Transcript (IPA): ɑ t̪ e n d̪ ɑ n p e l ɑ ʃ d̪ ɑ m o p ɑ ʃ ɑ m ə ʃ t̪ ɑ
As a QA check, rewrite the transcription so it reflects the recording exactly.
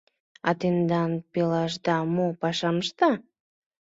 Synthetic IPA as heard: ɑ t̪ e n d̪ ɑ n p e l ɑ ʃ d̪ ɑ m o p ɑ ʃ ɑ m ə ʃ t̪ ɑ